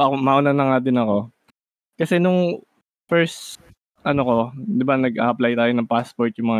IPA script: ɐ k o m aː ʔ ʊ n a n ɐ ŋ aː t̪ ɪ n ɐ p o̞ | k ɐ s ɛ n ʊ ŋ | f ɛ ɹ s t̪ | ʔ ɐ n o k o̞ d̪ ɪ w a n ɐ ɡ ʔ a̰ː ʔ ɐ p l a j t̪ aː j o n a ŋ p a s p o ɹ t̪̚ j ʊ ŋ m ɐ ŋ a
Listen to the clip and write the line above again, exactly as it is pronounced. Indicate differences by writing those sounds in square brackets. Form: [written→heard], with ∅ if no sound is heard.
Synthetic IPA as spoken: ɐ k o m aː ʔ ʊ n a n ɐ ŋ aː [t̪→d̪] ɪ n ɐ [p→k] o̞ | k ɐ s ɛ n ʊ ŋ | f ɛ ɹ s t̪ | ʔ ɐ n o k o̞ d̪ ɪ [w→b] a n ɐ ɡ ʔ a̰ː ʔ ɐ p l a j t̪ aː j o n [a→ɐ] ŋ p a s p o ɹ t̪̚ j ʊ ŋ m ɐ ŋ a